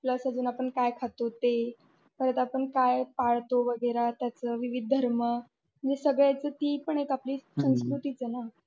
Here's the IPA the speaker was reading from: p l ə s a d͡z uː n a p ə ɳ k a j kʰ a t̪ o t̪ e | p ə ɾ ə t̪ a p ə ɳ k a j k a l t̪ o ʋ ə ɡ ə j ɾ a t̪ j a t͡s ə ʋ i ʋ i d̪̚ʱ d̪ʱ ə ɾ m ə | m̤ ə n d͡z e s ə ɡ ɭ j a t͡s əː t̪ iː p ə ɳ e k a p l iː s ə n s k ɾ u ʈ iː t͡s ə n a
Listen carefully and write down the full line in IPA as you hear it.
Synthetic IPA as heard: p l ə s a d͡z uː n a p ə ɳ k a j kʰ a t̪ o t̪ e | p ə ɾ ə t̪ a p ə ɳ k a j p a ɭ t̪ o ʋ ə ɡ ə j ɾ a t̪ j a t͡s ə ʋ i ʋ i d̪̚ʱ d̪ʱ ə ɾ m ə | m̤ ə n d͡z e s ə ɡ ɭ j a t͡s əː t̪ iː p ə ɳ e k a p l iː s ə n s k ɾ u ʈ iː t͡s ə n a